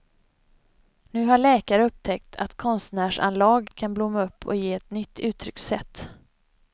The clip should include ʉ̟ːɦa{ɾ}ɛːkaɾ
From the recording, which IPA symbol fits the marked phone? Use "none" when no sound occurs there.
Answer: ɭ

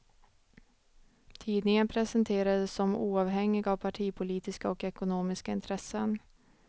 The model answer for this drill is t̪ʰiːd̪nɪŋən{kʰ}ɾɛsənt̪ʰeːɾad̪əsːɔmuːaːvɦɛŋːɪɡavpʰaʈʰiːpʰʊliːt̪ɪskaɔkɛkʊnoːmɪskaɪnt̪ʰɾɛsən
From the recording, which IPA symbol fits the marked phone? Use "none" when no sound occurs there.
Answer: pʰ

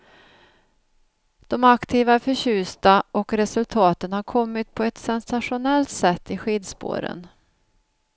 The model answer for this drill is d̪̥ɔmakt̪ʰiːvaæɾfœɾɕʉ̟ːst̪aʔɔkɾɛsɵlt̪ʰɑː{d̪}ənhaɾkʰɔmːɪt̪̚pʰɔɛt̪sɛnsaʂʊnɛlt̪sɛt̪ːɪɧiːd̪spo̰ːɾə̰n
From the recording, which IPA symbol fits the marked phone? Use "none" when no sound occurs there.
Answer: t̪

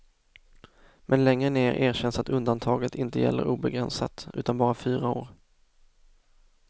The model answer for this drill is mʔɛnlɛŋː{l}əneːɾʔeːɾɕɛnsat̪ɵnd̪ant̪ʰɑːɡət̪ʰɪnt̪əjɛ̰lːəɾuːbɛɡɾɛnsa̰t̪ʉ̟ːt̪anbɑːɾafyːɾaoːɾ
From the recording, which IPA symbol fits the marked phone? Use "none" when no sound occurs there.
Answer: ɾ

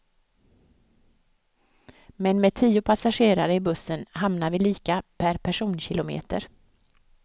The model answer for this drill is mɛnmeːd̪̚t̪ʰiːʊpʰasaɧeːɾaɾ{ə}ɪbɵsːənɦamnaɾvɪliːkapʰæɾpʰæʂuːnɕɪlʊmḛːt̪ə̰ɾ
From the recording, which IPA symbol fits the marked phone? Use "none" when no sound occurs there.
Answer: ə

